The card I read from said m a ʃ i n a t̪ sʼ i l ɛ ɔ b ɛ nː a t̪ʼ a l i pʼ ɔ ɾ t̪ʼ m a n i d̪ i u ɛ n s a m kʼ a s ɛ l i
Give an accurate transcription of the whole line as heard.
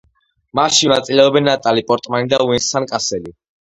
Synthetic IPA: m a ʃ i n a t̪ sʼ i l ɛ ɔ b ɛ nː a t̪ʼ a l i pʼ ɔ ɾ t̪ʼ m a n i d̪ a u ɛ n s a n kʼ a s ɛ l i